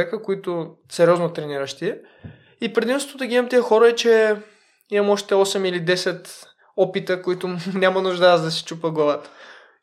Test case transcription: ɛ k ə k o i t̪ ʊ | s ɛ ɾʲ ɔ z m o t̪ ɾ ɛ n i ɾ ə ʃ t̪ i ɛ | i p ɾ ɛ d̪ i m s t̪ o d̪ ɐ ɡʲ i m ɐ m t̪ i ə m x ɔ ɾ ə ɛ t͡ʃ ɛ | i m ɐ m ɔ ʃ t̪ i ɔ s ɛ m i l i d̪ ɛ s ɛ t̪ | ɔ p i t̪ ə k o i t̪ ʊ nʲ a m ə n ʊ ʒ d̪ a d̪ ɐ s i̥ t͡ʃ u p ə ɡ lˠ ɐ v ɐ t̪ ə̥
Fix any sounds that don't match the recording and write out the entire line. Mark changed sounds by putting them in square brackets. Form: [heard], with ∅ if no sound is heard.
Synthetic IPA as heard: ɛ k ə k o i t̪ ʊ | s ɛ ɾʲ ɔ z [n] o t̪ ɾ ɛ n i ɾ ə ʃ t̪ i ɛ | i p ɾ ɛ d̪ i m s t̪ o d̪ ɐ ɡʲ i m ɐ m t̪ i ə [∅] x ɔ ɾ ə ɛ t͡ʃ ɛ | i m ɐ m ɔ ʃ t̪ [ɛ] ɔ s ɛ m i l i d̪ ɛ s ɛ t̪ | ɔ p i t̪ ə k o i t̪ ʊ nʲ a m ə n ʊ ʒ d̪ a d̪ ɐ s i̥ t͡ʃ u p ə ɡ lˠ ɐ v [a] t̪ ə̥